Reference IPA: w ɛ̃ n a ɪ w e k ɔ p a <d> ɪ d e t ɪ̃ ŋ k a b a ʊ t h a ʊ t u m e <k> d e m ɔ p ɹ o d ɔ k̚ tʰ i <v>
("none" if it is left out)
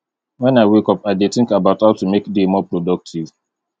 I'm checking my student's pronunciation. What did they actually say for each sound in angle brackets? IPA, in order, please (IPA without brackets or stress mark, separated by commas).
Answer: none, k, v